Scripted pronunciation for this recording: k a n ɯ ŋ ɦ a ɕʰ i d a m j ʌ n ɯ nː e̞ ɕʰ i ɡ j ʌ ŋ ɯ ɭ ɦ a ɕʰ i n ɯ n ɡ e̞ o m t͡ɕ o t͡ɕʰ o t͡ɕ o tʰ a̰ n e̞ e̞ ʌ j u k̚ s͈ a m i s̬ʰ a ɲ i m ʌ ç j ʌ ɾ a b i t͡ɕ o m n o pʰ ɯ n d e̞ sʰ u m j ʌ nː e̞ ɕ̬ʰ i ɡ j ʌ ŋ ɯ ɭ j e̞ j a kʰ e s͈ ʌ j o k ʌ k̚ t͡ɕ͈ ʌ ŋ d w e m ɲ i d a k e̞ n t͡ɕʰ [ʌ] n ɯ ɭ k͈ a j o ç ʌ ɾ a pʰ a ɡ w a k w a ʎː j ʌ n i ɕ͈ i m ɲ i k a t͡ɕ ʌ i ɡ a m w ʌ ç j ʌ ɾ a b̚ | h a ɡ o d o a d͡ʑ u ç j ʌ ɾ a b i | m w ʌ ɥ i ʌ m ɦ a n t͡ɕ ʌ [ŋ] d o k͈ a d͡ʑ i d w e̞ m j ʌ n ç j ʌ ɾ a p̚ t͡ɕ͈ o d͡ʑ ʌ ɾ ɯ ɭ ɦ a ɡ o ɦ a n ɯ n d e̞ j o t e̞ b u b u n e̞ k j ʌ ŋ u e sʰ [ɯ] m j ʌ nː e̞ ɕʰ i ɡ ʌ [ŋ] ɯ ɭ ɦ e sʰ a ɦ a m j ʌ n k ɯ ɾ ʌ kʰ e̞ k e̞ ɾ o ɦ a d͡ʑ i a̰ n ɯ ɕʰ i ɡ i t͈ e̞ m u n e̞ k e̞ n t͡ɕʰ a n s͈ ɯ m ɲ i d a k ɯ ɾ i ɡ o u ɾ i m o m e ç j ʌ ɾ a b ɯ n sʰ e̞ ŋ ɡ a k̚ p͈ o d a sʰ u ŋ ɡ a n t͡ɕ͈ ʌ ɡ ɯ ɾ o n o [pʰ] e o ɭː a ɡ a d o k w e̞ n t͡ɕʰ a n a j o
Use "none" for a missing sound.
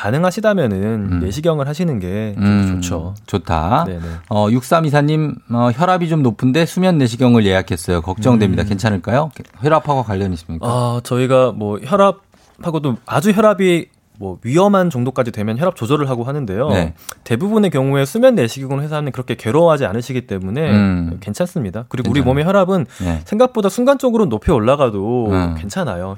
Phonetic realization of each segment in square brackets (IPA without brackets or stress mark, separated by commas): a, ŋ, u, ŋ, pʰ